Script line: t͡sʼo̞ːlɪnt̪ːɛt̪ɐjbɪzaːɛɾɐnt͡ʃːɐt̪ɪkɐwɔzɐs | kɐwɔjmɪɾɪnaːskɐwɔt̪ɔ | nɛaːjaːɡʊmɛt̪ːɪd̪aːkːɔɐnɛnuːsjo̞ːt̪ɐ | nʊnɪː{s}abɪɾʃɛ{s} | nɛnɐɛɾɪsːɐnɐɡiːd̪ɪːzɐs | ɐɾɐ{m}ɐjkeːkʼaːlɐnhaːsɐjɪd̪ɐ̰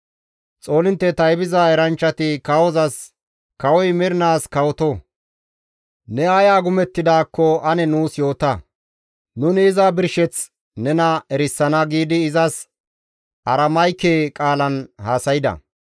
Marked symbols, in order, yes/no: no, no, yes

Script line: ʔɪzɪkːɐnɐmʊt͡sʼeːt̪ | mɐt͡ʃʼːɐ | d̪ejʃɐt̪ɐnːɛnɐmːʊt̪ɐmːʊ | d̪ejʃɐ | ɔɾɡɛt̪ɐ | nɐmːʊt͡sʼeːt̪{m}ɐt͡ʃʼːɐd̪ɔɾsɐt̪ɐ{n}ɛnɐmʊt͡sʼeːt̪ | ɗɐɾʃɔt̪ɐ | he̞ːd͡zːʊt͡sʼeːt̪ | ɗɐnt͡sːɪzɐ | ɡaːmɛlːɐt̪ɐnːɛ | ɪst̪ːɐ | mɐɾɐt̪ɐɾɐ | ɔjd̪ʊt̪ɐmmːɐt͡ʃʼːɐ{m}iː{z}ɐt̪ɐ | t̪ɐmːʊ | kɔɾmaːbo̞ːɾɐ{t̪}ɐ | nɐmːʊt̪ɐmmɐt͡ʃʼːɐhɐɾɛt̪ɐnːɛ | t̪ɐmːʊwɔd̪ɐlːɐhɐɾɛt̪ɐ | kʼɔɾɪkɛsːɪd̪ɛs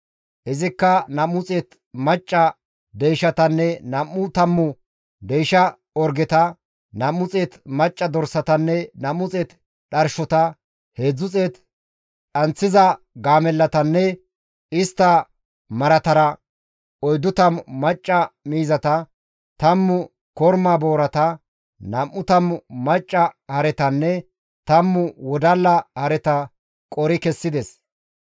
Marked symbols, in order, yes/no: yes, no, yes, yes, yes

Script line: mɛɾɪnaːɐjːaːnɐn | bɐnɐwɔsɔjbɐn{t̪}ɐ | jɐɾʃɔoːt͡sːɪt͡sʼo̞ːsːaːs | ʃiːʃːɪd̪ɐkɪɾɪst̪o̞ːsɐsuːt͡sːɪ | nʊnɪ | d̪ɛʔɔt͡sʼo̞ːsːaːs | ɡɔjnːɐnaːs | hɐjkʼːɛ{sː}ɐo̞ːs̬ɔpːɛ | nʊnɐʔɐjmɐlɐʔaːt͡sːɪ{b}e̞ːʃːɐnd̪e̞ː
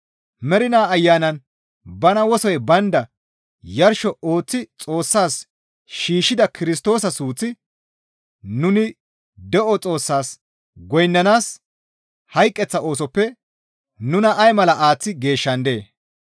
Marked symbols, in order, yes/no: no, no, no

